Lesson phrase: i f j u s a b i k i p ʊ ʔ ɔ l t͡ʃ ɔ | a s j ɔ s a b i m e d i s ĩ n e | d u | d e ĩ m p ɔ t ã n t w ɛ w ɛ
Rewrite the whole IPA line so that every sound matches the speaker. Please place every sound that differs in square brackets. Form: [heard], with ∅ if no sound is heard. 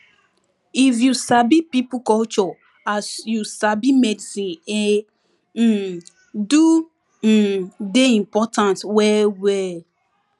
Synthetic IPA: i f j u s a b i [p] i p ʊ [k] ɔ l t͡ʃ ɔ | a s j [u] s a b i m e d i s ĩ n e | d u | d e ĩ m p ɔ t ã n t w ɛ w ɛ